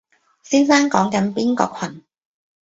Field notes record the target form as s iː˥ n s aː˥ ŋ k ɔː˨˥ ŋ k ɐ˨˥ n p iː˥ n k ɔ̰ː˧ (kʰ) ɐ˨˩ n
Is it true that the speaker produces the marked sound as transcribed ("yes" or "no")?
yes